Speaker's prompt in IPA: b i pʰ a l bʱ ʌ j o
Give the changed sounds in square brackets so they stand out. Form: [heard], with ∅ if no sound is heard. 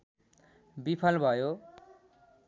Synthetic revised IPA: b i pʰ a l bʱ ʌ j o